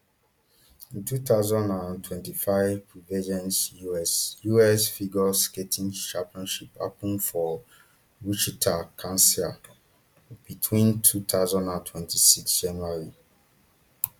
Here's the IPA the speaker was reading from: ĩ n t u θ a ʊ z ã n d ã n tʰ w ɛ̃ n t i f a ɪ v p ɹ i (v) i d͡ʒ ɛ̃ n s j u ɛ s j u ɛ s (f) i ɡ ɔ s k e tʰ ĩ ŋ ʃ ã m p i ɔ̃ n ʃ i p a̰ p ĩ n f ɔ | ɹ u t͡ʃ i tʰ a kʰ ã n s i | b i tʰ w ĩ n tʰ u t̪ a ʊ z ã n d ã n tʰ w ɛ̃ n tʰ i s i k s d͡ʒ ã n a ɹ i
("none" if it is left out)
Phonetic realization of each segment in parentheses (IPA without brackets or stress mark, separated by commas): v, f